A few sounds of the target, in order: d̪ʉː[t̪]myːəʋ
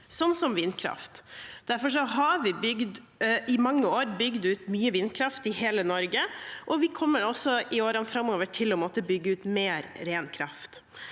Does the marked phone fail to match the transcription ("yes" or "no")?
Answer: no